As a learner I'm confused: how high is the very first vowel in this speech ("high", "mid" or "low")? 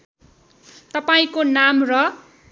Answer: mid